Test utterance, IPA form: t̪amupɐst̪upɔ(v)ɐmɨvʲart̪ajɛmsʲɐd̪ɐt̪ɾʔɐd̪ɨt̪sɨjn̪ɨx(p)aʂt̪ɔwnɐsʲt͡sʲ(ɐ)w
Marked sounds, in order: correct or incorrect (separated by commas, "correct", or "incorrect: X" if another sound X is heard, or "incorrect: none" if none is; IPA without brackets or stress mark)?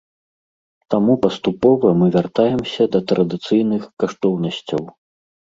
correct, incorrect: k, correct